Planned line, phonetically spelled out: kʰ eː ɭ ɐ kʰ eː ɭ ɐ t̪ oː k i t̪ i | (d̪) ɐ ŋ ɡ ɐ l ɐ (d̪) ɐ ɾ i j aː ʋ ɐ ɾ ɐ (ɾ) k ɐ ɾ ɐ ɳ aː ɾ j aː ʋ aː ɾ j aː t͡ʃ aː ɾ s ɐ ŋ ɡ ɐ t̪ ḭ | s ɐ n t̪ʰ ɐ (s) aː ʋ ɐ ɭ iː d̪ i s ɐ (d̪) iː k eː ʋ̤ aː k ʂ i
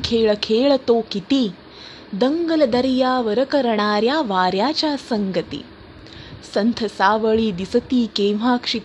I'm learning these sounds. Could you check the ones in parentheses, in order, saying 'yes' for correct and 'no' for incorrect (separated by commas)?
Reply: yes, yes, no, yes, no